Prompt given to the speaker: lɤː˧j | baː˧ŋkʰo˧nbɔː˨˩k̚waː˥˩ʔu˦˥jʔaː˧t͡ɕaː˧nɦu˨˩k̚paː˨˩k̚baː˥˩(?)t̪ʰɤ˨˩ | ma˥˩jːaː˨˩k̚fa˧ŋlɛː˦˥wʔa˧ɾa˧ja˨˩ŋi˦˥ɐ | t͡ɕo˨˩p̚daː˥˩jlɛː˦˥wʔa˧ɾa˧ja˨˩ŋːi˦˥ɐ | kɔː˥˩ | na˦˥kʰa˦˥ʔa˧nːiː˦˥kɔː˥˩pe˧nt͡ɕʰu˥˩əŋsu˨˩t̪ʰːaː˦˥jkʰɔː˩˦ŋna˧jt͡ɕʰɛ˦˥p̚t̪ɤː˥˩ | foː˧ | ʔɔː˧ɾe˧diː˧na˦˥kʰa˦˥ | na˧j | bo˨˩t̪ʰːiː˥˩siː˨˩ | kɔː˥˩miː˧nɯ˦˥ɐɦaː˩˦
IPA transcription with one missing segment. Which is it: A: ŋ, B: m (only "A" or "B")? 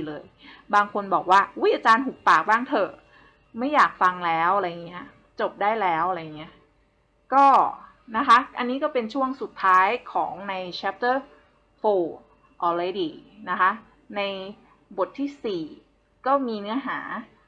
A